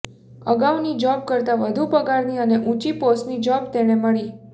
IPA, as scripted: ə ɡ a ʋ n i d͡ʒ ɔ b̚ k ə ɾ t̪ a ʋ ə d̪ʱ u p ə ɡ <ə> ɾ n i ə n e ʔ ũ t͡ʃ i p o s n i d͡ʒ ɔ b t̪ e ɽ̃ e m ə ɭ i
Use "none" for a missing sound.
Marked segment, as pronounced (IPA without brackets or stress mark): a